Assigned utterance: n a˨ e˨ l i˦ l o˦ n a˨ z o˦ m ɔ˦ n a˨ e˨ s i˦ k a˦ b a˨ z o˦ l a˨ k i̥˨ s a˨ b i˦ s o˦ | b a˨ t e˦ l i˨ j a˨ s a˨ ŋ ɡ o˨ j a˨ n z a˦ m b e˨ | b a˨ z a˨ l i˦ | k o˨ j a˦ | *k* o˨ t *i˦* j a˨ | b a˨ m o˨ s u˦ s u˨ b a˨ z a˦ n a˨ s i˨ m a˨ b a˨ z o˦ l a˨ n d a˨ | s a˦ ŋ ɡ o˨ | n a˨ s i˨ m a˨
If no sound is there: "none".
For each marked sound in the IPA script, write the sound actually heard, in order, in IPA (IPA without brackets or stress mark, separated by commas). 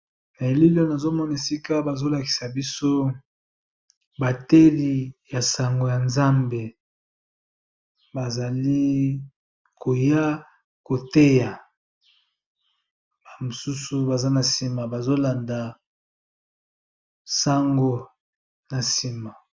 k, e˦